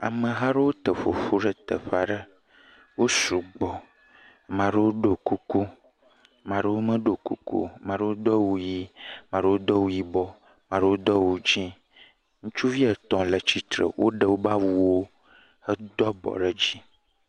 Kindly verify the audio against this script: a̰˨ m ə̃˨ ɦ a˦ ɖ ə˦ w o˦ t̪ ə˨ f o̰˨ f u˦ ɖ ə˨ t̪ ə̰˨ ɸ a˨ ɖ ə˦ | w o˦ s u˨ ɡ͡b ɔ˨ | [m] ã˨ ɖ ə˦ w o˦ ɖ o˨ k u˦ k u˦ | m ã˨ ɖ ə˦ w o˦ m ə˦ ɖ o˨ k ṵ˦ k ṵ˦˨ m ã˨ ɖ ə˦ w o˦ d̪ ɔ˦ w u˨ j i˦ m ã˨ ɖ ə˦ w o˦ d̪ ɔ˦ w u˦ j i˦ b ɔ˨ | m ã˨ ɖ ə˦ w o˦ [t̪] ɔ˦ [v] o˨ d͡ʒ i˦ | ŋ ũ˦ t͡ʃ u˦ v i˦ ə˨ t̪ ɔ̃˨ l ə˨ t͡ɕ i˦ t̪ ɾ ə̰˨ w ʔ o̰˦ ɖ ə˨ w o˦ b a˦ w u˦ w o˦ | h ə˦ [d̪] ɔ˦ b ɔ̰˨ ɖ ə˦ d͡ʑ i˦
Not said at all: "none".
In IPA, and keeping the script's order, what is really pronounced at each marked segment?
m, d̪, w, d̪

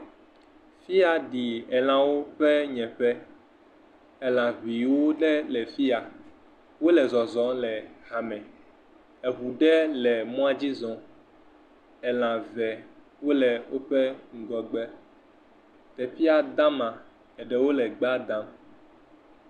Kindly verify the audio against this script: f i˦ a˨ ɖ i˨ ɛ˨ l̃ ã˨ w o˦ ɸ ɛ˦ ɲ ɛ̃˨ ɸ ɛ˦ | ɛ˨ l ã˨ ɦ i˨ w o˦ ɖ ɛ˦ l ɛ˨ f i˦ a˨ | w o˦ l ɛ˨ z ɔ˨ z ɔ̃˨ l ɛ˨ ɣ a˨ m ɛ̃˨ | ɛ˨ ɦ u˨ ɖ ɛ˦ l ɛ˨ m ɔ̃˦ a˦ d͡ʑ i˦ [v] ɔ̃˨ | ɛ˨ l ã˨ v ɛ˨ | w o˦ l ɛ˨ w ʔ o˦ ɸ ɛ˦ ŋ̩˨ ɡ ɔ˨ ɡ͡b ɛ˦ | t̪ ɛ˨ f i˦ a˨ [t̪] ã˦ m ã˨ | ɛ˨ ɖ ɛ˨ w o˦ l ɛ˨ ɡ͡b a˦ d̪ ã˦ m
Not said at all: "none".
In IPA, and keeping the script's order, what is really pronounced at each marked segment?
z, d̪

